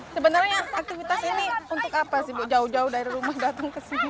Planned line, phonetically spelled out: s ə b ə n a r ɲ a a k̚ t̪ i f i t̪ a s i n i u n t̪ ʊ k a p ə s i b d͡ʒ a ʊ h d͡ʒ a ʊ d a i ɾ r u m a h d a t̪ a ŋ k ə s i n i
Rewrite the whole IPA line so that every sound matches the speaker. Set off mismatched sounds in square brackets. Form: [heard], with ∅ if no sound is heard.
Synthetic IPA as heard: s ə b ə n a r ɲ a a k̚ t̪ i f i t̪ a s i n i u n t̪ ʊ k a p [a] s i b d͡ʒ a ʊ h d͡ʒ a ʊ d a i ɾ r u m a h d a t̪ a ŋ k ə s i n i